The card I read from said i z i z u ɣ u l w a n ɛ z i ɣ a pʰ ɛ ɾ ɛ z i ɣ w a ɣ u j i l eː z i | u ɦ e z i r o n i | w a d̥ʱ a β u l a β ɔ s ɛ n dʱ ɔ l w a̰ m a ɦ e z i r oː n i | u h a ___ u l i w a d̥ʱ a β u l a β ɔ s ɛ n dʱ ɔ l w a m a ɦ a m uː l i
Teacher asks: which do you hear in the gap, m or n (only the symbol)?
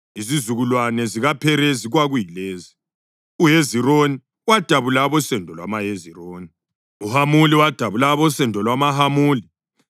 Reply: m